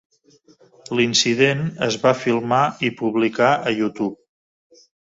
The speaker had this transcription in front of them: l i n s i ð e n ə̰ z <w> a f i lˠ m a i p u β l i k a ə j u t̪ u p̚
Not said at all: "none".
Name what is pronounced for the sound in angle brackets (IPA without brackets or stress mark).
β